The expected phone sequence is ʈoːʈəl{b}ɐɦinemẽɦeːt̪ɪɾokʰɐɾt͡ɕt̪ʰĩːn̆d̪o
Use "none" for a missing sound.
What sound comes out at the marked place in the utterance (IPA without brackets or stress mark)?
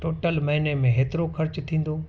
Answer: m